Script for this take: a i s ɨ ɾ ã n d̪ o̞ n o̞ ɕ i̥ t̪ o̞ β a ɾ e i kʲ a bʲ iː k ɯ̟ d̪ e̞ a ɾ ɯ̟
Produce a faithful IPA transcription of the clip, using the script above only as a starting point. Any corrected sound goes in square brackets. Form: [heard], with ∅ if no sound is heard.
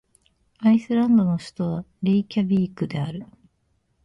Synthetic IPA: a i s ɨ ɾ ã n d̪ o̞ n o̞ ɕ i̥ t̪ o̞ β a ɾ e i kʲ a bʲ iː k ɯ̟ d̪ e̞ a ɾ ɯ̟